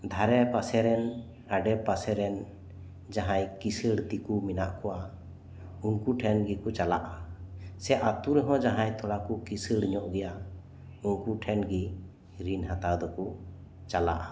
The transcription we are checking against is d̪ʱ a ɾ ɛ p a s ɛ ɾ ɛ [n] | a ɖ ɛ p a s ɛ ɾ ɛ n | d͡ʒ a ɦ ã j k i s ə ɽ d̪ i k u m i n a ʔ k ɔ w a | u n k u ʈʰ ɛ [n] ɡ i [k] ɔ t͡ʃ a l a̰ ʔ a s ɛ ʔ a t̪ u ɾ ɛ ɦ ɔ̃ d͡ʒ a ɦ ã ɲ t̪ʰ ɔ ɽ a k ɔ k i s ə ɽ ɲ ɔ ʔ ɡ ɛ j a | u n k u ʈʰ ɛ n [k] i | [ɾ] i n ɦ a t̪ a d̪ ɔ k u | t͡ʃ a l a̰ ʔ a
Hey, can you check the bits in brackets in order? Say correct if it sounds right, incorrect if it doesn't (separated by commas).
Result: correct, correct, correct, incorrect, correct